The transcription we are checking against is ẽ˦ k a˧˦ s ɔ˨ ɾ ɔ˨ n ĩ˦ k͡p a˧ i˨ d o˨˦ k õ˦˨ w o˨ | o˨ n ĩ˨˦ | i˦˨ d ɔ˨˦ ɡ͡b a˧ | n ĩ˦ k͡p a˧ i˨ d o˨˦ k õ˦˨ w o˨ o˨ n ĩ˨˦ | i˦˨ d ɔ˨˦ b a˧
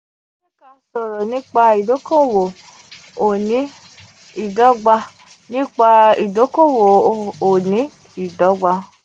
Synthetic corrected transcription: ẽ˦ k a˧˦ s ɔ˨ ɾ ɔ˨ n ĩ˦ k͡p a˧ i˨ d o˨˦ k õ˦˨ w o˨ | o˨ n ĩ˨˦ | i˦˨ d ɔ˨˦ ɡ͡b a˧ | n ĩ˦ k͡p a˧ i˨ d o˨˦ k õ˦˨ w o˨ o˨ n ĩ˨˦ | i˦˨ d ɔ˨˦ ɡ͡b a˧